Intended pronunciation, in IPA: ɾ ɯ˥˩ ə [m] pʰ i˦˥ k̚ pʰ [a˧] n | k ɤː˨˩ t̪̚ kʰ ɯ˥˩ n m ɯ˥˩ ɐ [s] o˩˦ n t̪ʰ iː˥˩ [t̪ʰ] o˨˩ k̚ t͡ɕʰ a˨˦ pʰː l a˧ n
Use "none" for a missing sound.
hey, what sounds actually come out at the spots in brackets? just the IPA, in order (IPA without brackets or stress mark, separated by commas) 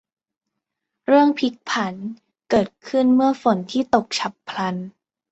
ŋ, a˩˦, f, t̪